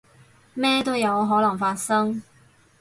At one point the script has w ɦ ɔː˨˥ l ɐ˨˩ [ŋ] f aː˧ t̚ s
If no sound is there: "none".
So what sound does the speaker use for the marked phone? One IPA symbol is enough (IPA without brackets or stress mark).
ŋ